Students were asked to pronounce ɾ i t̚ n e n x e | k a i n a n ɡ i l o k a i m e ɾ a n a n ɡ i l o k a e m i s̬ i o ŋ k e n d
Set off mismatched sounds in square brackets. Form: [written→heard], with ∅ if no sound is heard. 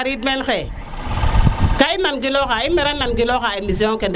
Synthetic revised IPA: ɾ i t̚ [n→m] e n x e | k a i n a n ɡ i l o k a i m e ɾ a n a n ɡ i l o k a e m i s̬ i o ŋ k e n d